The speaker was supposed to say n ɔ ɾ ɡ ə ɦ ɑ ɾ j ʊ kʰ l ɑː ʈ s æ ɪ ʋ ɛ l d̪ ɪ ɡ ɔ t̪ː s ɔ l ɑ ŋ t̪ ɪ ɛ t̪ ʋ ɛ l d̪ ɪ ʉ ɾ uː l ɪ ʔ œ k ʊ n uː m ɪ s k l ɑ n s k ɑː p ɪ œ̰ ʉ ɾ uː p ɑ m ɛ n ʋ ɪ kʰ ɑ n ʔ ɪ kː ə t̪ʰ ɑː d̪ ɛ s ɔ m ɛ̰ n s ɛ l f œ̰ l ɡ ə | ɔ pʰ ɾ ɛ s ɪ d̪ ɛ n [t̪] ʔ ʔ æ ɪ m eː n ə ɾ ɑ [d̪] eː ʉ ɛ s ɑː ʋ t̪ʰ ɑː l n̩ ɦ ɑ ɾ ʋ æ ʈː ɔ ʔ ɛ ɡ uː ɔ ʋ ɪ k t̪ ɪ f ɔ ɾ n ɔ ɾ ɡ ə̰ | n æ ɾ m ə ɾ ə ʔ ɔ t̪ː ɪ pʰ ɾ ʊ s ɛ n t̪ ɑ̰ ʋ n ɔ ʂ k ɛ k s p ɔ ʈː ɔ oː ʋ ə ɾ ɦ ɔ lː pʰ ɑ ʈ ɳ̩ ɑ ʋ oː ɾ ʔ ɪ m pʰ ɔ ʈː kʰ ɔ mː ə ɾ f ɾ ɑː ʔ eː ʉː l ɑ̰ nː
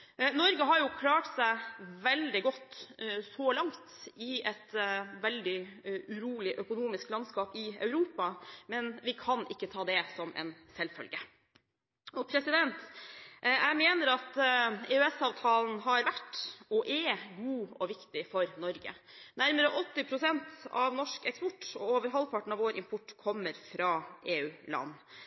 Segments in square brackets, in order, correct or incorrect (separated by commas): correct, incorrect